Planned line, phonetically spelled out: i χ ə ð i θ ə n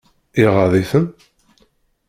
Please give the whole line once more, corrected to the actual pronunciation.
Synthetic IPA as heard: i ʁ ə ð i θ ə n

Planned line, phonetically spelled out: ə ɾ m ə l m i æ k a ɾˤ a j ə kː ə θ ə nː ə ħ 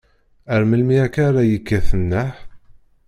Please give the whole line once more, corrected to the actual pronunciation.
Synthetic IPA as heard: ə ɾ m ə l m i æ k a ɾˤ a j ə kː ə θ ə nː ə ħ

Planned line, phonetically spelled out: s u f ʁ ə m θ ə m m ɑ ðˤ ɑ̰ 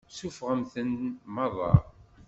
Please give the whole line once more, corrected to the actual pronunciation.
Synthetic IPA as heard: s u f ʁ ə m θ ə n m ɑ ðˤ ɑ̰

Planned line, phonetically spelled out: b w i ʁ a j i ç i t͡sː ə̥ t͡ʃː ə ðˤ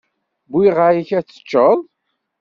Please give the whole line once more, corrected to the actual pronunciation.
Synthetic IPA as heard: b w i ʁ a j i ç æ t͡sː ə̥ t͡ʃː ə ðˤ

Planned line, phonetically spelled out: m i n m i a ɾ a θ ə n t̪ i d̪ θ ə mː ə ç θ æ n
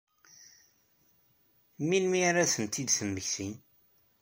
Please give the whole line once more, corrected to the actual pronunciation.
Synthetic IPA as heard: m i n m i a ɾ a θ ə n t̪ i d̪ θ ə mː ə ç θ i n

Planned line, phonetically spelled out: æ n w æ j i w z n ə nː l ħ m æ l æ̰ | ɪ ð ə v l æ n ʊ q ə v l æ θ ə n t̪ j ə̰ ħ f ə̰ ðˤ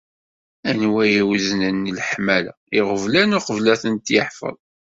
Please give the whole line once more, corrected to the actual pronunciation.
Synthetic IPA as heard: æ n w æ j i w z n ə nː l ħ m æ l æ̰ | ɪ ʁ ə v l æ n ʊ q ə v l æ θ ə n t̪ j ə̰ ħ f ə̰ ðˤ

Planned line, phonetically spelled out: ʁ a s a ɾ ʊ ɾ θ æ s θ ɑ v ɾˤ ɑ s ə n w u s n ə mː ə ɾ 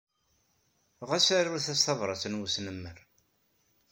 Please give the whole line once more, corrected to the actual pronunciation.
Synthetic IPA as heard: ʁ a s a ɾ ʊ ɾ θ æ s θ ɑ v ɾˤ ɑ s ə n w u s n ə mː ə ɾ

